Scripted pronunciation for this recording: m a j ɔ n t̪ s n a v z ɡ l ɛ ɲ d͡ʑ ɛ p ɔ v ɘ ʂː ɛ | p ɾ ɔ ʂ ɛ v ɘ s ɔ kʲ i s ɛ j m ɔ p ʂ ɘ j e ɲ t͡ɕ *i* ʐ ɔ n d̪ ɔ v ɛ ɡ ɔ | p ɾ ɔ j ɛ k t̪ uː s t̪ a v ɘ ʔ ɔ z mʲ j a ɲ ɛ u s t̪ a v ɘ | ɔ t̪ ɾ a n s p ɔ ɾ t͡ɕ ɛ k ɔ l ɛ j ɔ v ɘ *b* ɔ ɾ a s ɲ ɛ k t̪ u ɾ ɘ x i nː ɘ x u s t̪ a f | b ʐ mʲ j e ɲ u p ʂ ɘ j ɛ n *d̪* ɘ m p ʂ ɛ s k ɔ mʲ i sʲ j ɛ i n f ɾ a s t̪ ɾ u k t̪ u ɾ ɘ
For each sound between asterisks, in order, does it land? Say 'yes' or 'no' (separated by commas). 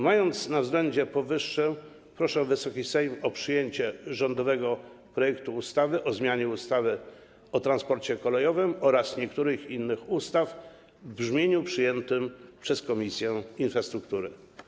no, no, no